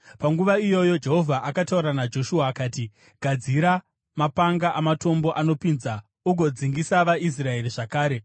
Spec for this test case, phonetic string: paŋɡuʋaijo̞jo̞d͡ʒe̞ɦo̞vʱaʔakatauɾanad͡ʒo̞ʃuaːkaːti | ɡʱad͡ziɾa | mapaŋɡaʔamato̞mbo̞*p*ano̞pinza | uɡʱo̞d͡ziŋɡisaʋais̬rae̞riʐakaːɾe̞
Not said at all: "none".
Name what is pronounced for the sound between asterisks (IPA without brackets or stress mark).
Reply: ʔ